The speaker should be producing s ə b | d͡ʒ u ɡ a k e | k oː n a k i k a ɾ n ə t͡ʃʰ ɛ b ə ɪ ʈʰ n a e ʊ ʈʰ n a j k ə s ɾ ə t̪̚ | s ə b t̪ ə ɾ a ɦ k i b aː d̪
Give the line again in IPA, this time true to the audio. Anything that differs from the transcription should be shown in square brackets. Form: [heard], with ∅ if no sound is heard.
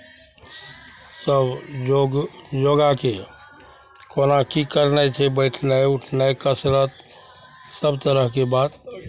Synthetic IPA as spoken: s ə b | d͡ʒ [o] ɡ a k e | k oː n a k i k [ə] ɾ n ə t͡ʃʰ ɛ b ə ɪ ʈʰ n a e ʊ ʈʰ n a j k ə s ɾ ə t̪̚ | s ə b t̪ ə ɾ [ə] ɦ k [e] b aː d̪